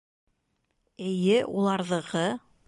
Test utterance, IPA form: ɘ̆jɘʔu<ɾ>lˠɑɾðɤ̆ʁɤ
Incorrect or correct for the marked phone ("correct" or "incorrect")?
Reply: incorrect